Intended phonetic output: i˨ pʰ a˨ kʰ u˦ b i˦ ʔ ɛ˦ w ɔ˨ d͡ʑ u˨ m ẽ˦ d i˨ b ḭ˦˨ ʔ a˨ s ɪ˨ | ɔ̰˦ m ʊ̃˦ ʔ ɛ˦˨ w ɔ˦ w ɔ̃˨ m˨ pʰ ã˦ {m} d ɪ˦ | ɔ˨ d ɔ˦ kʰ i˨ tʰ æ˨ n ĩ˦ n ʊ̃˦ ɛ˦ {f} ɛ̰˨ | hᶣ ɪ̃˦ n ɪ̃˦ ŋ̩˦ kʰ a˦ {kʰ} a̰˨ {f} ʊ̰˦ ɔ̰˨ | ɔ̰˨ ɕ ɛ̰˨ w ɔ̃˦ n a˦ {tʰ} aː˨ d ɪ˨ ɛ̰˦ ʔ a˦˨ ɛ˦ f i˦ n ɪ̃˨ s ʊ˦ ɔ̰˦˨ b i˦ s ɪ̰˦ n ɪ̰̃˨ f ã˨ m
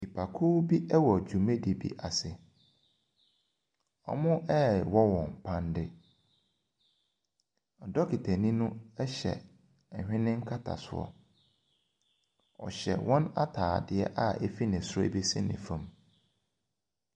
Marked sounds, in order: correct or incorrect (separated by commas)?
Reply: incorrect, incorrect, incorrect, incorrect, correct